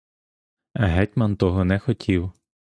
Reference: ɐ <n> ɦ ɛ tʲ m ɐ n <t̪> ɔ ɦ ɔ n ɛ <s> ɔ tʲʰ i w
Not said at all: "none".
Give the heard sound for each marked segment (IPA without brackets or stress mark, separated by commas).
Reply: none, t̪, x